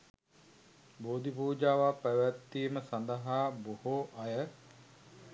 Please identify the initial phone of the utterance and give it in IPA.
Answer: b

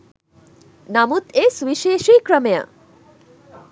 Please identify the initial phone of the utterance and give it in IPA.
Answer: n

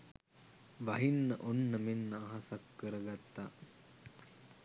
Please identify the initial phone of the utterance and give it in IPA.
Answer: ʋ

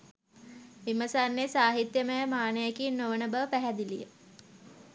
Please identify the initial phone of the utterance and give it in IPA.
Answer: ʋ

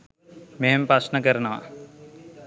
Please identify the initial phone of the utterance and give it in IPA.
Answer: m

